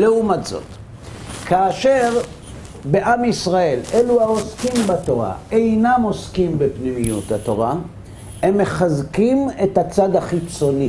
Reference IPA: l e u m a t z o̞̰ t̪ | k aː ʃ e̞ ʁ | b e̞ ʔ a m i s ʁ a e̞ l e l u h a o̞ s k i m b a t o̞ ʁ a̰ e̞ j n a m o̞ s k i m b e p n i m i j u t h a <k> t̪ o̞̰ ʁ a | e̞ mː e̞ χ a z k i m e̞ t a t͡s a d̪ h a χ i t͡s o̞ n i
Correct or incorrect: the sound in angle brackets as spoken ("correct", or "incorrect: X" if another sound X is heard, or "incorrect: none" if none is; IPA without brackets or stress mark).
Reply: incorrect: none